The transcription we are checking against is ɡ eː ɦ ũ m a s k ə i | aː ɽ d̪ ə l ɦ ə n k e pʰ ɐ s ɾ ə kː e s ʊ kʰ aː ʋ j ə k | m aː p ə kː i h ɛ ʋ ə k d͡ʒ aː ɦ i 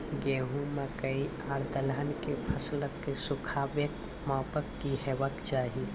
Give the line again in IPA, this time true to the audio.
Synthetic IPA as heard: ɡ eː ɦ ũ m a k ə i | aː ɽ d̪ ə l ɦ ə n k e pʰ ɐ s l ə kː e s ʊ kʰ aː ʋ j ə k | m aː p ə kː i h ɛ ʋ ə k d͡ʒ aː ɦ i

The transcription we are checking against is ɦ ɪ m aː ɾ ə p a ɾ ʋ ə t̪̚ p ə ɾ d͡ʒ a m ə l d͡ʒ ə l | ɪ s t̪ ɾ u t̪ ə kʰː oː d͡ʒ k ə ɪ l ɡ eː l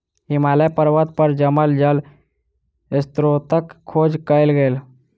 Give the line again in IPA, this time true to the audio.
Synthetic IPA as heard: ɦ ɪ m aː l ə p ə ɾ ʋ ə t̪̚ p ə ɾ d͡ʒ ə m ə l d͡ʒ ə l | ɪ s t̪ ɾ o t̪ ə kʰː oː d͡ʒ k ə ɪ l ɡ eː l

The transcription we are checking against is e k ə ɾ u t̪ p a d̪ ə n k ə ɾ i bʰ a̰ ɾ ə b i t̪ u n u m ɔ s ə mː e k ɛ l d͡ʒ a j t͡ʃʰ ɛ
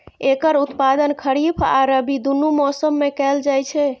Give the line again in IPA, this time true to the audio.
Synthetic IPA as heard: e k ə ɾ u t̪ p a d̪ ə n kʰ ə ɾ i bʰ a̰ ɾ ə b i d̪ u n u m ɔ s ə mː e k ɛ l d͡ʒ a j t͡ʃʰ ɛ

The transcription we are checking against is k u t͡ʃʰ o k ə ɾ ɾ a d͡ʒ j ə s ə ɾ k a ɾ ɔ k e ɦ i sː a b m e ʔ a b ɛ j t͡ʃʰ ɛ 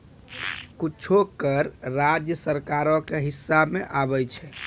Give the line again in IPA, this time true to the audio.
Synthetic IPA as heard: k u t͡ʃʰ o k ə ɾ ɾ a d͡ʒ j ə s ə ɾ k a ɾ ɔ k e ɦ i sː a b m e ʔ a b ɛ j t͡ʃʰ ɛ

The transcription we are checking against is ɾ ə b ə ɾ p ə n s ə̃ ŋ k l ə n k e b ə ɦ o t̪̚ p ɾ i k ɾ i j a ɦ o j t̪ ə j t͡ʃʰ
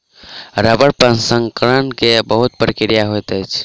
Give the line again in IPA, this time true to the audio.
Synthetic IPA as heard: ɾ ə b ə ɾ p ə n s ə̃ ŋ k ɾ ə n k e b ə ɦ u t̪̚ p ɾ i k ɾ i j a ɦ o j t̪ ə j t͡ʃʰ

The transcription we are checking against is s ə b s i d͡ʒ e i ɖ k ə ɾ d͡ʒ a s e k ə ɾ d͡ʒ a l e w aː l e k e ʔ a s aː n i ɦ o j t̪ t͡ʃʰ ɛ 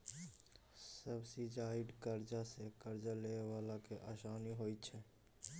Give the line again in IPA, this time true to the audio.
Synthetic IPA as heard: s ə b s i d͡ʒ a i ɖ k ə ɾ d͡ʒ a s e k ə ɾ d͡ʒ a l e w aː l a k e ʔ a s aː n i ɦ o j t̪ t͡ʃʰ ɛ

